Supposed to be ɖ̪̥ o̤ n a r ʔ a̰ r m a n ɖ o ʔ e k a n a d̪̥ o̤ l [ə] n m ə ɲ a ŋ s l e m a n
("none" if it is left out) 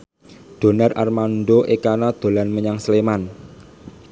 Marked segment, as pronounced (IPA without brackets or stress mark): a